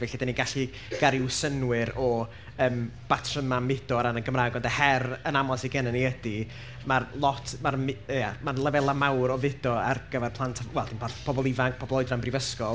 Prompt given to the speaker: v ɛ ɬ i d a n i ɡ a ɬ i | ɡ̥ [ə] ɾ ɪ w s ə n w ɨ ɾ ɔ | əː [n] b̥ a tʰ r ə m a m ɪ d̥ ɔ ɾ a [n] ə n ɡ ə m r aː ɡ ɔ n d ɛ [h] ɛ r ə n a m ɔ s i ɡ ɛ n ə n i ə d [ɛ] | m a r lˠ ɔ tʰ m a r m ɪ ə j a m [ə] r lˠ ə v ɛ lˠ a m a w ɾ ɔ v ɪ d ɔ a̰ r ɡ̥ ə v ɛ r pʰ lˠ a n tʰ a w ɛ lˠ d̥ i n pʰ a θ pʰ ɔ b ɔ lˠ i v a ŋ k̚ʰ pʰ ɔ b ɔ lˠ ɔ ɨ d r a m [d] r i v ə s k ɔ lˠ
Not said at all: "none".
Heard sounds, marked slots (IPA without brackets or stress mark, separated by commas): a, m, n, h, i, a, b